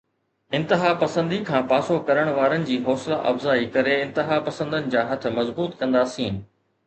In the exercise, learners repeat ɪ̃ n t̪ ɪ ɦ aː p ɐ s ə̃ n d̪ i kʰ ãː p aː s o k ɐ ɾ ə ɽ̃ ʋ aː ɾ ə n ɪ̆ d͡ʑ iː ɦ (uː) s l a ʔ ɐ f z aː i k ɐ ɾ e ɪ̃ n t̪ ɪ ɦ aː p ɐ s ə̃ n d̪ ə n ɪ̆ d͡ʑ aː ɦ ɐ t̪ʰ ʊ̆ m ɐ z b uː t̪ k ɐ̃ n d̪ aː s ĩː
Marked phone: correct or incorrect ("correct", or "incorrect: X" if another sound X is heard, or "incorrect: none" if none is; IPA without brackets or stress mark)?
incorrect: ɔː